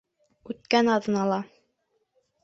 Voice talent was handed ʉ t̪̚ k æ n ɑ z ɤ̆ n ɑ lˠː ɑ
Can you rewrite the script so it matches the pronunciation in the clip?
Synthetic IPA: ʉ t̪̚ k æ n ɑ ð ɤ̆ n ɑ lˠ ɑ